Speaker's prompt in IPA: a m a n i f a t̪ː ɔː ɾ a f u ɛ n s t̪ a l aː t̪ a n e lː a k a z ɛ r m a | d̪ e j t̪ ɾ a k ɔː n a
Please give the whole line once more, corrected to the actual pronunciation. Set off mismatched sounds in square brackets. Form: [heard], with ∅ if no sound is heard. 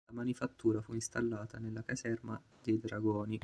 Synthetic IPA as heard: a m a n i f a t̪ː [uː] ɾ a f u [i] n s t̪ a [lː] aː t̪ a n e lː a k a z ɛ r m a | d̪ e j [d̪] ɾ a [ɡ] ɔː n [i]